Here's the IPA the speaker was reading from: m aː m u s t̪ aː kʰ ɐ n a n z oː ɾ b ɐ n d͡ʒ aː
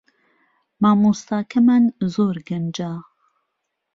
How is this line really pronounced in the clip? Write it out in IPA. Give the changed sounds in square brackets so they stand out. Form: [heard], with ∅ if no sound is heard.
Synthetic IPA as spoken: m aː m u s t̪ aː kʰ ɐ [m] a n z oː ɾ [ɡ] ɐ n d͡ʒ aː